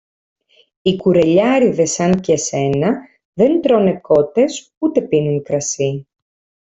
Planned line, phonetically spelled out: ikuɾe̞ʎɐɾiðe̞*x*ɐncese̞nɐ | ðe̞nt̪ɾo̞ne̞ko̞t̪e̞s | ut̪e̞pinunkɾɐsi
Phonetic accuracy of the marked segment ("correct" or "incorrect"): incorrect